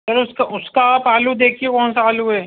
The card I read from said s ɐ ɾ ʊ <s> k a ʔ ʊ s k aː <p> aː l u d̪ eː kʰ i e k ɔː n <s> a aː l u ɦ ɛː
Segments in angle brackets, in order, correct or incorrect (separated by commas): correct, correct, correct